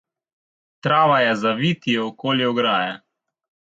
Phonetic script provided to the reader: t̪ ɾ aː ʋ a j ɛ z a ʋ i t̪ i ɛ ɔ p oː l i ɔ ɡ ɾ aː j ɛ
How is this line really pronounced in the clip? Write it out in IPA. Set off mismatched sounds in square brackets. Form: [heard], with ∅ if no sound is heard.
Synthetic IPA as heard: t̪ ɾ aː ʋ a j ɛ z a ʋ i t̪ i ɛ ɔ [k] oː l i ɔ ɡ ɾ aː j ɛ